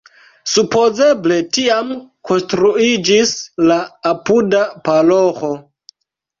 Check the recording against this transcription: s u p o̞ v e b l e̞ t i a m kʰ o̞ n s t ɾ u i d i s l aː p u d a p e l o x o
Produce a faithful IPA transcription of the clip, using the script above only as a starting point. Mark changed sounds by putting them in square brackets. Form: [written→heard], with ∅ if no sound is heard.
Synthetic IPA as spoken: s u p o̞ [v→z] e b l e̞ t i a m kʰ o̞ n s t ɾ u i [d→d͡ʒ] i s l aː p u d a p [e→a] l o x o